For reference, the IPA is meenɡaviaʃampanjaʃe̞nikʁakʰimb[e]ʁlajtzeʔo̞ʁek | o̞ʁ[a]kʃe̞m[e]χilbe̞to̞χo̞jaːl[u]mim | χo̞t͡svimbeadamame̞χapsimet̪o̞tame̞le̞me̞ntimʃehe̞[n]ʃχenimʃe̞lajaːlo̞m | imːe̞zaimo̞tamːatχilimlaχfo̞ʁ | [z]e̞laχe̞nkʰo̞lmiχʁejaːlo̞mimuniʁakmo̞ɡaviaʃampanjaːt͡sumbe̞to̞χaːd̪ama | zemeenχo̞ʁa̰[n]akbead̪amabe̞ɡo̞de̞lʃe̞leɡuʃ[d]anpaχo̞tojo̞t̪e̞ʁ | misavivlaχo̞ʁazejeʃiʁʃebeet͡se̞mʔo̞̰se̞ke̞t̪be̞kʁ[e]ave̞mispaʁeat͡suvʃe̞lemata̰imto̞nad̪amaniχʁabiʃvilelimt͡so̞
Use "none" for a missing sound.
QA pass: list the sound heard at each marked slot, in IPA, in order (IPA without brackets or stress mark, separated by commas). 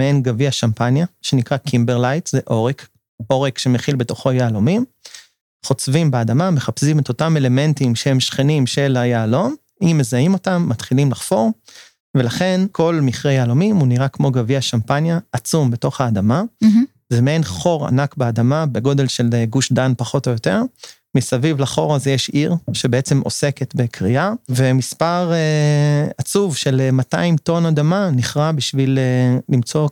e, e, e, o, m, v, n, d, i